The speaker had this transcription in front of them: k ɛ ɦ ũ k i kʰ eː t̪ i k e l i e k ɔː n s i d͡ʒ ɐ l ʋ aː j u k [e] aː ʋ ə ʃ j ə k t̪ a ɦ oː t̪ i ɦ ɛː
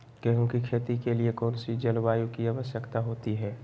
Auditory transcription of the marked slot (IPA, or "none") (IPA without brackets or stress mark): i